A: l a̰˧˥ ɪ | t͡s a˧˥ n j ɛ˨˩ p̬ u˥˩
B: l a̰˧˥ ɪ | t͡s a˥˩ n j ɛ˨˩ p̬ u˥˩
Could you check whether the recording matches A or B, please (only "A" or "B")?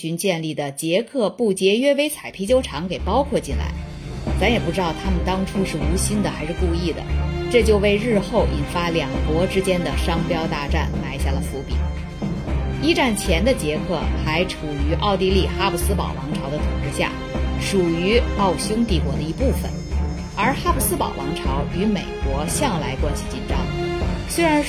A